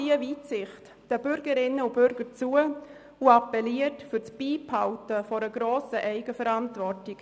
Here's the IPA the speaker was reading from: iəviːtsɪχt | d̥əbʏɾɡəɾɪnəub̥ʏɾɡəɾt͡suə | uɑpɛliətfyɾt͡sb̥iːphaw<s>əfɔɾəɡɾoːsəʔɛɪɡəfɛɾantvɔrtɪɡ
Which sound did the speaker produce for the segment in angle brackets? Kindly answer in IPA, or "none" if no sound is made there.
t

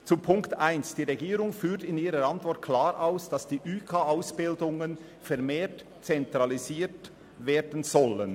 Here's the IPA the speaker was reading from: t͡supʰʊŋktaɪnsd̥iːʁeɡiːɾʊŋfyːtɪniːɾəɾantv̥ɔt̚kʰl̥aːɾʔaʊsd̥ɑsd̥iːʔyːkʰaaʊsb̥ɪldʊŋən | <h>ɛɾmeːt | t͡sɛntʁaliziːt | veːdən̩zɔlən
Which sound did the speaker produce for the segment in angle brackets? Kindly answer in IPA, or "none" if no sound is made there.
f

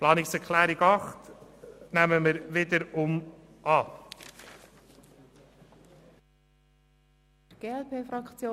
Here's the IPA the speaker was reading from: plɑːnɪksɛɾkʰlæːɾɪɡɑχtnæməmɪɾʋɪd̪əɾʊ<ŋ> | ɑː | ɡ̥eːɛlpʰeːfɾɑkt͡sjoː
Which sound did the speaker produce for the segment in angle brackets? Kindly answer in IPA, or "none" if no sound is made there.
m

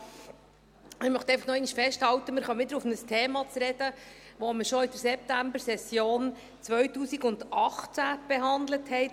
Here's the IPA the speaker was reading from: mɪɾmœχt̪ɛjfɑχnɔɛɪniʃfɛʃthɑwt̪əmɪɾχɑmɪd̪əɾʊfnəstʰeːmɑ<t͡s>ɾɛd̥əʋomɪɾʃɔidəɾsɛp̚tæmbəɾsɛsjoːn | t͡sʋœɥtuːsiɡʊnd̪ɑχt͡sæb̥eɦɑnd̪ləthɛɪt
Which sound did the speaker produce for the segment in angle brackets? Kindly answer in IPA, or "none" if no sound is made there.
t͡s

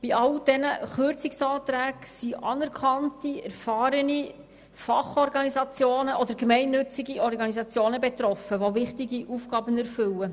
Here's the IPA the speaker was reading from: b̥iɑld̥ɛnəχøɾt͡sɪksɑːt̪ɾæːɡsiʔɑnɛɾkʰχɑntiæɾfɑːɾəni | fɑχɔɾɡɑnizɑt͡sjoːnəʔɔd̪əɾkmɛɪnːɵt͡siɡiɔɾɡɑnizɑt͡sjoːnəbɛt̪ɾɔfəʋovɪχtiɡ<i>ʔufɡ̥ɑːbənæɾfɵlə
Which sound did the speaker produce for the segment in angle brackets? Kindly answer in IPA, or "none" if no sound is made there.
i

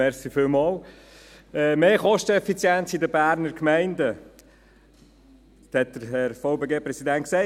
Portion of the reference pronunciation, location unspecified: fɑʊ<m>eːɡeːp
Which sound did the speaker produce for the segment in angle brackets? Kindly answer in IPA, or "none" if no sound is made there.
b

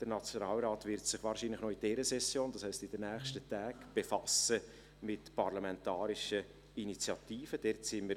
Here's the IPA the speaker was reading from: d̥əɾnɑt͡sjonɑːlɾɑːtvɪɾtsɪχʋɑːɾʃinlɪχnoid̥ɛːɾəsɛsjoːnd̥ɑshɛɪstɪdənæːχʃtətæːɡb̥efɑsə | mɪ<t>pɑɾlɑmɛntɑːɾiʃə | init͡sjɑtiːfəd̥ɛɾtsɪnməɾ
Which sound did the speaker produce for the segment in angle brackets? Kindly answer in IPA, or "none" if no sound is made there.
t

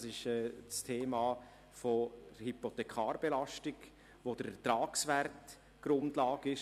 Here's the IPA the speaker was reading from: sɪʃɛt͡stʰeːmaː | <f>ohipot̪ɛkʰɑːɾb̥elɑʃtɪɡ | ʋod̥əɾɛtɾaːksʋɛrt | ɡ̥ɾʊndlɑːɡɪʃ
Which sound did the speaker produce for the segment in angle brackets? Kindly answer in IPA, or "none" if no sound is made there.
f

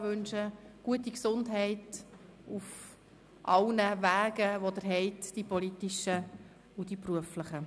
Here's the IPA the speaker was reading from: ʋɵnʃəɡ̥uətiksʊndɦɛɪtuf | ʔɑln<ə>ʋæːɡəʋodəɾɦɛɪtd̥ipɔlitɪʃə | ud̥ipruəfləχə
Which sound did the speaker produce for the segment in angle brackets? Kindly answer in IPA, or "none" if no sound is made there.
ə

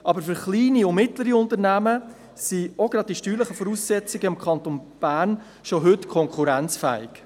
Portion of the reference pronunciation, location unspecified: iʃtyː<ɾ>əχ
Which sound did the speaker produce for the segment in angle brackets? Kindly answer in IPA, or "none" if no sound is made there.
l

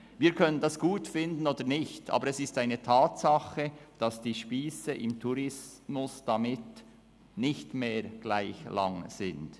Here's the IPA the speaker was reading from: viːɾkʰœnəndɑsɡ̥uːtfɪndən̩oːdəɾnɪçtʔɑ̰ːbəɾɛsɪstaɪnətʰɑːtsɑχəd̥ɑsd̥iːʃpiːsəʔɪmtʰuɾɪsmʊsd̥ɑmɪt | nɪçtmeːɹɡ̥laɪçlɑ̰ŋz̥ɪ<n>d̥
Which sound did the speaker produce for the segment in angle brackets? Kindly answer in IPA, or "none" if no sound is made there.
n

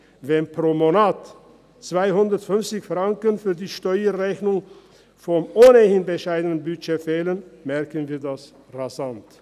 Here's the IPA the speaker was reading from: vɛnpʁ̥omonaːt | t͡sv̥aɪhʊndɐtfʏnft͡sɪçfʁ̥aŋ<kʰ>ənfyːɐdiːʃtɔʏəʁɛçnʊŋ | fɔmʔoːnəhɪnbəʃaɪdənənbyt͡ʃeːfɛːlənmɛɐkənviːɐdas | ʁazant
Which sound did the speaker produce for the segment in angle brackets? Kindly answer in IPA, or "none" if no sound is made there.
k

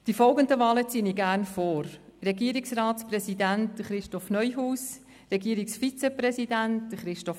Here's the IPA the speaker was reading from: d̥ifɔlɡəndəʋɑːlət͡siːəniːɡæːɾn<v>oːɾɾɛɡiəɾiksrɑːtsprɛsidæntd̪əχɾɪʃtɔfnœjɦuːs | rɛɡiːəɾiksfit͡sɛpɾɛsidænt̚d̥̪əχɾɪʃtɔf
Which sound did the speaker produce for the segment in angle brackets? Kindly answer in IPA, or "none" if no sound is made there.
f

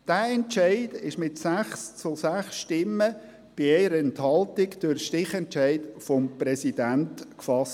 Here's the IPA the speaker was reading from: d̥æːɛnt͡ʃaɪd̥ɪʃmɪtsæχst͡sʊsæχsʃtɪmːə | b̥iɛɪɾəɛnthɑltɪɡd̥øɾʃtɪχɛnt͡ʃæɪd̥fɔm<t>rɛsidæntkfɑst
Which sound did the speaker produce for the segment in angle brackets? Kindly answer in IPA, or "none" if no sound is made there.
p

